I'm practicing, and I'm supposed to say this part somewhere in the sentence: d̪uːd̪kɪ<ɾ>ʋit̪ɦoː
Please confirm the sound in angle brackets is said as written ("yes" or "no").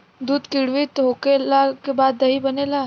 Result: no